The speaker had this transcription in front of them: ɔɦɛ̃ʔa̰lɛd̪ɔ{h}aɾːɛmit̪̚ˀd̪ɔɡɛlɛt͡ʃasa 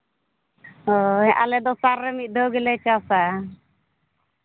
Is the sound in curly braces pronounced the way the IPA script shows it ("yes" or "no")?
no